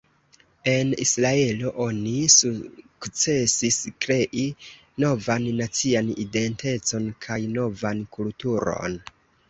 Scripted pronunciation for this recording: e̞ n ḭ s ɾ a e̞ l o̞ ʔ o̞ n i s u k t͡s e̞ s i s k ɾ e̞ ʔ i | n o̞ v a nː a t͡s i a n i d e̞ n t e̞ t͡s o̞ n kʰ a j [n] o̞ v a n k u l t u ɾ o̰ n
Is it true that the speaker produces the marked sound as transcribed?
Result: yes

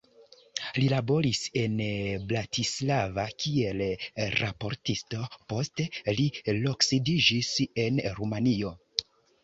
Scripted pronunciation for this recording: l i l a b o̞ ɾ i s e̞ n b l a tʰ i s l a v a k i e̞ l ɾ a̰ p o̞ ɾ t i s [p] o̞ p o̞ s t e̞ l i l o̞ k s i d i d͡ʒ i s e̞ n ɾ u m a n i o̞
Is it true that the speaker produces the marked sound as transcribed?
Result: no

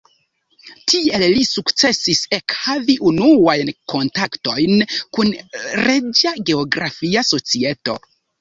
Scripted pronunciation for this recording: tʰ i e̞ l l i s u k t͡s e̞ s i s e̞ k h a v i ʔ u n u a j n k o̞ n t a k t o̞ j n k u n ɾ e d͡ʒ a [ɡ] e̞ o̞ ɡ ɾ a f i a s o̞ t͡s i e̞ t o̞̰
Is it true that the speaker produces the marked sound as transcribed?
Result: yes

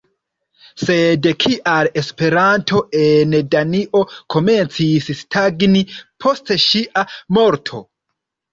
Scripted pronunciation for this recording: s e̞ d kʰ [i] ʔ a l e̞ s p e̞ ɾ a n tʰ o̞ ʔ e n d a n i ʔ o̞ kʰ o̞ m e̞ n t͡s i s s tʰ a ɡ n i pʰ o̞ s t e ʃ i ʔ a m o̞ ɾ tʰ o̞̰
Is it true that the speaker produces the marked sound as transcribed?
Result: yes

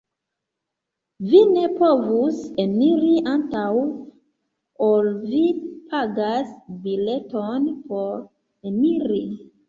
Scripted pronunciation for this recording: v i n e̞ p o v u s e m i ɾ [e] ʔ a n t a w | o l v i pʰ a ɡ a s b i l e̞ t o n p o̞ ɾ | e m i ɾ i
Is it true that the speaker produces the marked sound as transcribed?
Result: no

